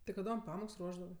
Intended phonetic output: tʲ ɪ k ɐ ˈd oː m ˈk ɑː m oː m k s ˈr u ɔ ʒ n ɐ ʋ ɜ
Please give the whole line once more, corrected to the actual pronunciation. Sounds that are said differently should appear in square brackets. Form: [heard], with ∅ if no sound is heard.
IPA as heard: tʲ ɪ k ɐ ˈd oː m [ˈp] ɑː m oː [∅] k s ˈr u ɔ ʒ [d] ɐ ʋ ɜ